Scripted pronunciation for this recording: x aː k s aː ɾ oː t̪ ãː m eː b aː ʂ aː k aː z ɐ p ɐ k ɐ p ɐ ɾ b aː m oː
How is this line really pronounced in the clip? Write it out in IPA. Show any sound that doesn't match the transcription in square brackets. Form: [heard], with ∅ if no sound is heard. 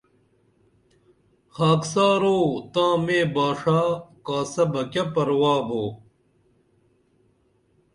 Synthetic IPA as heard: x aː k s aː ɾ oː t̪ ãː m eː b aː ʂ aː k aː [s] ɐ [b] ɐ k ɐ p ɐ ɾ [w] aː [b] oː